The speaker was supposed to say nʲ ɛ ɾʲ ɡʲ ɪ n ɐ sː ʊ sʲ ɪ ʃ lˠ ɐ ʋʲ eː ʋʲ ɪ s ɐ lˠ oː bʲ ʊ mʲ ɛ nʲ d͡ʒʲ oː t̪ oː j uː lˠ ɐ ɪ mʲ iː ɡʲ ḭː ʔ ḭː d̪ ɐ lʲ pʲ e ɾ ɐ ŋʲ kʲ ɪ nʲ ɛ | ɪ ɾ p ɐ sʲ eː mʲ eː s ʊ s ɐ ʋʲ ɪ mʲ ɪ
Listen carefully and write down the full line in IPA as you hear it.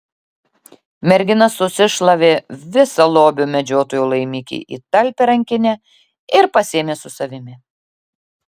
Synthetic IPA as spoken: mʲ ɛ ɾʲ ɡʲ ɪ n ɐ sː ʊ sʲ ɪ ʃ lˠ ɐ ʋʲ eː ʋʲ ɪ s ɐ lˠ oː bʲ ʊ mʲ ɛ d͡ʒʲ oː t̪ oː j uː lˠ ɐ ɪ mʲ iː kʲ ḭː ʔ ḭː t̪ ɐ lʲ pʲ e ɾ ɐ ŋʲ kʲ ɪ nʲ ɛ | ɪ ɾ p ɐ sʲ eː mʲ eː s ʊ s ɐ ʋʲ ɪ mʲ ɪ